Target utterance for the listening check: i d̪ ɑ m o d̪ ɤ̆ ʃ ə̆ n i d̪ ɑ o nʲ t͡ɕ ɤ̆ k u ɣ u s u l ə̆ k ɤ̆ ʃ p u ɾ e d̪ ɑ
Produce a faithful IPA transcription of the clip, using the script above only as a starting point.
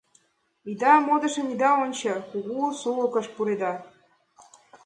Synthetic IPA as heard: i d̪ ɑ m o d̪ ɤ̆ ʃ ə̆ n i d̪ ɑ o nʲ t͡ɕ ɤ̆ k u ɣ u s u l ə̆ k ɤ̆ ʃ p u ɾ e d̪ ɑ